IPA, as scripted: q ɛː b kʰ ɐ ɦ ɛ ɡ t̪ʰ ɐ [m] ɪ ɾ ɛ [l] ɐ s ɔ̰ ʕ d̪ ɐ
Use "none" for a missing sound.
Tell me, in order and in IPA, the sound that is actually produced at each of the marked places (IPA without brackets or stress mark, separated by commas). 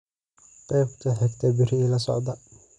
b, l